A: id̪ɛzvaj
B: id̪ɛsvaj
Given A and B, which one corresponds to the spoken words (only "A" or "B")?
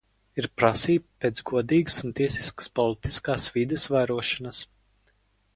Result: B